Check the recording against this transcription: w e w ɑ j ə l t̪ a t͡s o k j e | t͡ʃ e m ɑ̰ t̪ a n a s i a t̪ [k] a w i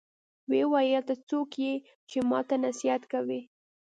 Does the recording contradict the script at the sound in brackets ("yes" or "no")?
no